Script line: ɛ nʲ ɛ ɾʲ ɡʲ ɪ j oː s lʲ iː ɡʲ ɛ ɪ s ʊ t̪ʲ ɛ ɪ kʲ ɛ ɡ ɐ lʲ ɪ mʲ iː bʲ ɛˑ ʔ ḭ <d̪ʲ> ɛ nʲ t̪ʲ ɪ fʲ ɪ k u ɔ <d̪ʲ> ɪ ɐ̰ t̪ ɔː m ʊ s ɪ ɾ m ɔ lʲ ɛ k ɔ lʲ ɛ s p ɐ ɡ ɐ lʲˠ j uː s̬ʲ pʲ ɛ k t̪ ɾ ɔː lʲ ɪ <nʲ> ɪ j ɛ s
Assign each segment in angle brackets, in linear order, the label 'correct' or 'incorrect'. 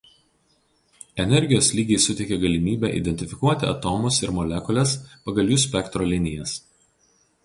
correct, incorrect: t̪ʲ, correct

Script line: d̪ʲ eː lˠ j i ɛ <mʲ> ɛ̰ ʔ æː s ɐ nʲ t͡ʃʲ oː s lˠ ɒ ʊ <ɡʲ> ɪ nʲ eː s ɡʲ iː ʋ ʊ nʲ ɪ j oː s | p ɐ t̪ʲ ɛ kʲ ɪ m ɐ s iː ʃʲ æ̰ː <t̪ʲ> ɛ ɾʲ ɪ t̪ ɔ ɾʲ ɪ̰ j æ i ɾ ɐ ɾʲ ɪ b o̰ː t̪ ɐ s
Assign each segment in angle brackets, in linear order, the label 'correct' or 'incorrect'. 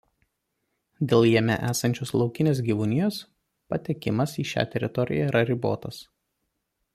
correct, incorrect: kʲ, correct

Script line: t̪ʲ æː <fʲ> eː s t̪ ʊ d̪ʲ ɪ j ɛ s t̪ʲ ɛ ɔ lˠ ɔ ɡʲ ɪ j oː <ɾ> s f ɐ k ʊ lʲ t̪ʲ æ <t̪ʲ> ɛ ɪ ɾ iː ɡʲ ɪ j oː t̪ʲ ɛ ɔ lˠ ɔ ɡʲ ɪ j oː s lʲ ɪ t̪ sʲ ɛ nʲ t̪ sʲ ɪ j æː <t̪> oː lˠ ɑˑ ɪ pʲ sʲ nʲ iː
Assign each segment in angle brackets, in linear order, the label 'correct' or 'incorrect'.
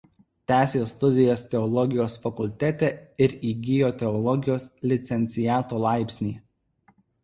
incorrect: sʲ, incorrect: none, correct, correct

